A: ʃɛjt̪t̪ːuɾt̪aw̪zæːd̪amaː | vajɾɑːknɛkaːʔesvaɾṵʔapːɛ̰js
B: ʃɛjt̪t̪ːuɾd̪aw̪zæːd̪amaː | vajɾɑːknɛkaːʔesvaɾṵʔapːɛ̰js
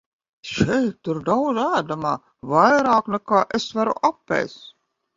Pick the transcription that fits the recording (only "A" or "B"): B